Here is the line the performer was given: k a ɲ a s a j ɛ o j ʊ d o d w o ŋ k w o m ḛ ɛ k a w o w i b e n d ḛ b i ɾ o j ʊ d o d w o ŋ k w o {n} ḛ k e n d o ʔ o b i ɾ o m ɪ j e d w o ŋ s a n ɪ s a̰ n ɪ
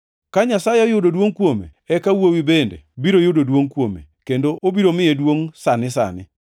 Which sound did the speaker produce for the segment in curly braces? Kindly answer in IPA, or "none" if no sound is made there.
m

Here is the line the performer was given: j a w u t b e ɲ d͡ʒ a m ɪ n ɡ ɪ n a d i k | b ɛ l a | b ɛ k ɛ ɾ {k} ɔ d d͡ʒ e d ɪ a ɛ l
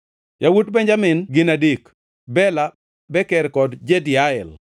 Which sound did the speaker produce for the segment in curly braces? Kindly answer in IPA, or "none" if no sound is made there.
k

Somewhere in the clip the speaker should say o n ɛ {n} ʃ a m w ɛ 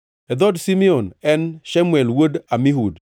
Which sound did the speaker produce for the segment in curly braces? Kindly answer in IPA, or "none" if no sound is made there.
n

